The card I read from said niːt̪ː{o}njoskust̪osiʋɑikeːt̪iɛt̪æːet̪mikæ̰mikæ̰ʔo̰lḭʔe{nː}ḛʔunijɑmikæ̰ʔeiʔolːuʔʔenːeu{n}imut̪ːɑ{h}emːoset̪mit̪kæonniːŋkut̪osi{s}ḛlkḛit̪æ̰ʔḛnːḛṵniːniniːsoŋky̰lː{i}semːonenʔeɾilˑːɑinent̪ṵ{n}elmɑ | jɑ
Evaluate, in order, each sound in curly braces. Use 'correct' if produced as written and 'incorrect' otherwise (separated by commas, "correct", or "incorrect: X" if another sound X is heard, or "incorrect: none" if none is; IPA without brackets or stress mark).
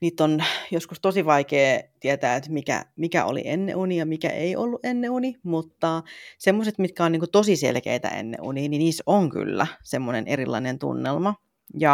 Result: correct, correct, correct, incorrect: s, correct, incorrect: æ, incorrect: nː